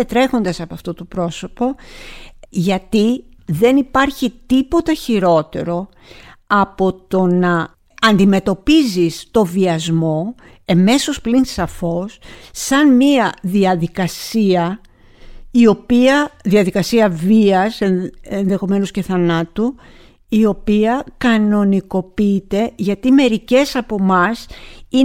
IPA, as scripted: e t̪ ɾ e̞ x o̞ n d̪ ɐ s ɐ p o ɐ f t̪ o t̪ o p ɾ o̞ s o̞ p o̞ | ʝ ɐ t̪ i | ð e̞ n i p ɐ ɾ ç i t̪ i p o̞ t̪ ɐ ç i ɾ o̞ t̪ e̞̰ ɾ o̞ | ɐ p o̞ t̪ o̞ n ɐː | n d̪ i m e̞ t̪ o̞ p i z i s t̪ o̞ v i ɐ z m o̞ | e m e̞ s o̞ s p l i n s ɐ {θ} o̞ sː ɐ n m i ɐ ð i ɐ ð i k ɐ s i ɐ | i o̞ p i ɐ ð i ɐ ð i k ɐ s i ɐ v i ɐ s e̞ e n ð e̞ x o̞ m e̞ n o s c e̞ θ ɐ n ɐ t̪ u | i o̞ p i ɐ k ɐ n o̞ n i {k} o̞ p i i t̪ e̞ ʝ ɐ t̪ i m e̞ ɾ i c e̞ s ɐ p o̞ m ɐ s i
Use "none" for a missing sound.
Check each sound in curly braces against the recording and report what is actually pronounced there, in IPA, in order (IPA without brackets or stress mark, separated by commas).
f, k